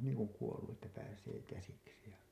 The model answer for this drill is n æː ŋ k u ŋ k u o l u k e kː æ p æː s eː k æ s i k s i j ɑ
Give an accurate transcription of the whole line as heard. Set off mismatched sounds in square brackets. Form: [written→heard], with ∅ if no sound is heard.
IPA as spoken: n [æː→iː] ŋ k u ŋ k u o [l→lː] u [k→ʔ] e [kː→tː] æ p æː s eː k æ s i k s i j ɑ